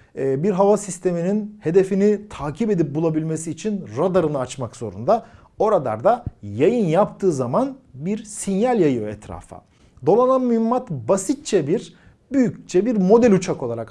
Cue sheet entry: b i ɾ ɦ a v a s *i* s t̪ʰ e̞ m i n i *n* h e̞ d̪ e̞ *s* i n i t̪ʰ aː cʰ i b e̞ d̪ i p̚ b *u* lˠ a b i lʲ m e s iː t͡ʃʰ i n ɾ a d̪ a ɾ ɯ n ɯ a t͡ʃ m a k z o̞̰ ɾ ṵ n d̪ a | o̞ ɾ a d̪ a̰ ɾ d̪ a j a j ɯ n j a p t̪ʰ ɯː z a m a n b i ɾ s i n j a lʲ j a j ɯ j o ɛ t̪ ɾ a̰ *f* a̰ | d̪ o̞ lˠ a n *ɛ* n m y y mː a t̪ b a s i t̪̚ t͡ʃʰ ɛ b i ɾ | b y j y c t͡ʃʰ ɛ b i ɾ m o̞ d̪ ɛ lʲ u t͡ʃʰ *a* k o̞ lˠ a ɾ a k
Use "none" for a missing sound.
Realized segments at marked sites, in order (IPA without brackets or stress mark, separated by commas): i, n, f, u, f, a, a